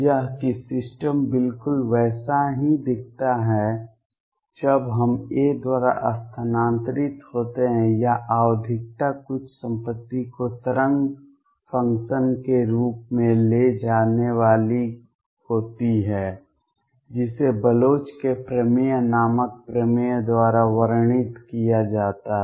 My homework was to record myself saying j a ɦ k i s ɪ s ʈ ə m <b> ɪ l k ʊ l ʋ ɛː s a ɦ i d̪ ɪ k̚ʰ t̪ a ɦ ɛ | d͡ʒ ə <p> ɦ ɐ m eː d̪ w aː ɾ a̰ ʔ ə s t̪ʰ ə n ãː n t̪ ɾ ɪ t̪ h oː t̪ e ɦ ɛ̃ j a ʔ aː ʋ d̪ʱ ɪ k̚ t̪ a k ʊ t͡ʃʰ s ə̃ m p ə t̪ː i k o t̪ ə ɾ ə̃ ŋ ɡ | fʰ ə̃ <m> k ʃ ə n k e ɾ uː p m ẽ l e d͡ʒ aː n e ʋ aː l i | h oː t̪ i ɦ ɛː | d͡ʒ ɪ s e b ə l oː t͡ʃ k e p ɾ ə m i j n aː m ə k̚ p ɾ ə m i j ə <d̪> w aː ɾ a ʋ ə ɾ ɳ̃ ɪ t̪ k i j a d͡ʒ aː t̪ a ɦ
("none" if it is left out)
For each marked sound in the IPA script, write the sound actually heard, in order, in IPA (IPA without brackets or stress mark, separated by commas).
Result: b, b, ŋ, d̪